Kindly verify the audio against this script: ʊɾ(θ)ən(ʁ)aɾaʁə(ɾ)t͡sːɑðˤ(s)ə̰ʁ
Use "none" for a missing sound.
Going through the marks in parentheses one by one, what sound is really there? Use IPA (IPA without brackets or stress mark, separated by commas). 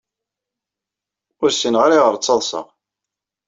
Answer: s, ʁ, ɾ, s